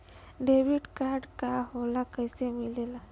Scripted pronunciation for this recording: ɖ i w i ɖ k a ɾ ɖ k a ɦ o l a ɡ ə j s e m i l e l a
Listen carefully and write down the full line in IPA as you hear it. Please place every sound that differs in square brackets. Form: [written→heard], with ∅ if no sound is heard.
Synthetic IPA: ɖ [i→e] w i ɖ k a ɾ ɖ k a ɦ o l a [ɡ→k] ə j s e m i l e l a